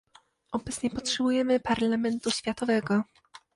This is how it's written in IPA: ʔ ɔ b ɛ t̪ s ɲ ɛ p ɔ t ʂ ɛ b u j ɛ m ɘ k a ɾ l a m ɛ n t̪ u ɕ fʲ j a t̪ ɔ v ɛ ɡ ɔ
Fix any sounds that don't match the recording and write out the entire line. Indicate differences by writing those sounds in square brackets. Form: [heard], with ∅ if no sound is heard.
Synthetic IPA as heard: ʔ ɔ b ɛ t̪ s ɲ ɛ p ɔ t ʂ ɛ b u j ɛ m ɘ [p] a ɾ l a m ɛ n t̪ u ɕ fʲ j a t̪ ɔ v ɛ ɡ ɔ